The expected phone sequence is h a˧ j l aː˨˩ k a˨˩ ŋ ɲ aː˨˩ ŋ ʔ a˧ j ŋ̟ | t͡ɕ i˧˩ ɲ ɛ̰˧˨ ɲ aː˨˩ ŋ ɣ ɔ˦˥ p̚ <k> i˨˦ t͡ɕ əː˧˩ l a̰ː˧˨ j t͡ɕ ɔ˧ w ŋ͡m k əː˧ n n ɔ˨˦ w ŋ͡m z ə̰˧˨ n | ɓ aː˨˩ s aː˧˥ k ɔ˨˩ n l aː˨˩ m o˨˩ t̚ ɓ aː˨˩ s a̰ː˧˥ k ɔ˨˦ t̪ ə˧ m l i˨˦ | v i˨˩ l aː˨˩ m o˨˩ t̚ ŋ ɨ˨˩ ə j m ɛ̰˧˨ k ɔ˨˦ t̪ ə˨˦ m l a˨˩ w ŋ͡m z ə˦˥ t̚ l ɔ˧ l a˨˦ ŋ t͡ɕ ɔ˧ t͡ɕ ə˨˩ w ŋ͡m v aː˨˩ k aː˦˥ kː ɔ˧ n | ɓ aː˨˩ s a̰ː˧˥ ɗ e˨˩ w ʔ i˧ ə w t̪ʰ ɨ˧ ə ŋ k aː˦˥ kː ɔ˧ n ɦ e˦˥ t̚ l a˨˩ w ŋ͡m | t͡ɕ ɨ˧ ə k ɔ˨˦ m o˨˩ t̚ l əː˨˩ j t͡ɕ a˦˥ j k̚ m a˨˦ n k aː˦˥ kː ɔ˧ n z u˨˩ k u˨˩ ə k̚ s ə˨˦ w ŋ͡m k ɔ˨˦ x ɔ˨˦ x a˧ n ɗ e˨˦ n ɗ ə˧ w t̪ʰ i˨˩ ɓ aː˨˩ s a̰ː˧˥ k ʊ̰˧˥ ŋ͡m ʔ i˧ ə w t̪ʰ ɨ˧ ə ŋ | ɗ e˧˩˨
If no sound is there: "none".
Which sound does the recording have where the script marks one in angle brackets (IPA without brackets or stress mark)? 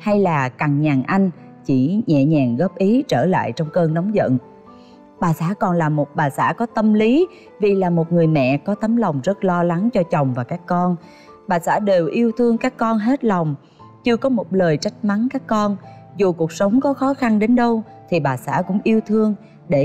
ʔ